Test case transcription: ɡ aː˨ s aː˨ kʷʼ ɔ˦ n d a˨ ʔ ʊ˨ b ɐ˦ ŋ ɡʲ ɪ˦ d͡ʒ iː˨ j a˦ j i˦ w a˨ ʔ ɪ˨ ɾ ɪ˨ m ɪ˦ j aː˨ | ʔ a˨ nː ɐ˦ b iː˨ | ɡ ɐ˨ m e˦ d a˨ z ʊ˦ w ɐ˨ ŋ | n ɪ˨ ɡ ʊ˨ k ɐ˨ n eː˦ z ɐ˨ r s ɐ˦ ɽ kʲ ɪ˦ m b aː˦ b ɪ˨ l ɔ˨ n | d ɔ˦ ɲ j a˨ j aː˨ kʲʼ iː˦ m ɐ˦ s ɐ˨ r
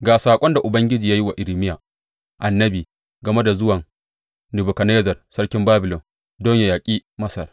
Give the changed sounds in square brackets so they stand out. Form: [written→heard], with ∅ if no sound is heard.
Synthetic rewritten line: ɡ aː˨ s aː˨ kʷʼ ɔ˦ n d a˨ ʔ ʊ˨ b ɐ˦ ŋ ɡʲ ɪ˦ d͡ʒ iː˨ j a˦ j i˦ w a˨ ʔ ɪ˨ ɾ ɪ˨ m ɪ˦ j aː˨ | ʔ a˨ nː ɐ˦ b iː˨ | ɡ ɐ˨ m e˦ d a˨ z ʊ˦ w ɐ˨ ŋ | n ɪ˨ [ɡ→b] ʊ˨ k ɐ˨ n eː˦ z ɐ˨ r s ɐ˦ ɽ kʲ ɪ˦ m b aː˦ b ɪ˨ l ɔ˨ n | d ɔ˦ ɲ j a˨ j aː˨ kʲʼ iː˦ m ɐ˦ s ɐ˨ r